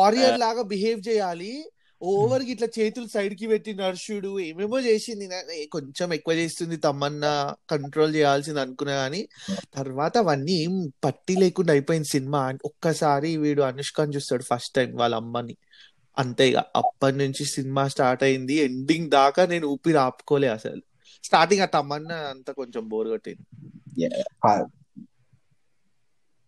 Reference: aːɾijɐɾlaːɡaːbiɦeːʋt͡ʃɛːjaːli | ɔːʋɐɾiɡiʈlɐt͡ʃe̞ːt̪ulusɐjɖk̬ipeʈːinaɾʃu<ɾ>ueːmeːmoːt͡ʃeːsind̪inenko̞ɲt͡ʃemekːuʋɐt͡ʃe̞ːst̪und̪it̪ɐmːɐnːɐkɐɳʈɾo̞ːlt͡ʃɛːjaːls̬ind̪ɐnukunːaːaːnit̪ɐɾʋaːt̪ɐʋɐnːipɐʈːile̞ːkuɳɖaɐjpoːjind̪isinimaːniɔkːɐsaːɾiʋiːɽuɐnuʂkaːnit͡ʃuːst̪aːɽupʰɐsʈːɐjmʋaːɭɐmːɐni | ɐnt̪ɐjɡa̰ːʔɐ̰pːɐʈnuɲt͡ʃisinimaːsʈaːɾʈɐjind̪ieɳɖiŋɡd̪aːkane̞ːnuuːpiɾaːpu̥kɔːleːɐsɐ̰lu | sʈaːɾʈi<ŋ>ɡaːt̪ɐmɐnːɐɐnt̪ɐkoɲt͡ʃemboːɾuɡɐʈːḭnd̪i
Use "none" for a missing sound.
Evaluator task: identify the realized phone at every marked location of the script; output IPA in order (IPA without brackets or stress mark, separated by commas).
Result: ɽ, ŋ